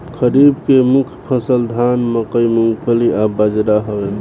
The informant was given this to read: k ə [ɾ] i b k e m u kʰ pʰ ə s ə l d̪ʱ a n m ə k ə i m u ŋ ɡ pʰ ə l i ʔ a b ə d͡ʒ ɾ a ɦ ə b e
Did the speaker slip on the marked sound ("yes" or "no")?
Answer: no